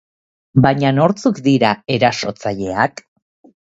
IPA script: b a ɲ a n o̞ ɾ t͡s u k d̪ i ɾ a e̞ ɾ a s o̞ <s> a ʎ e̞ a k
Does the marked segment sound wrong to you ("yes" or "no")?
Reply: yes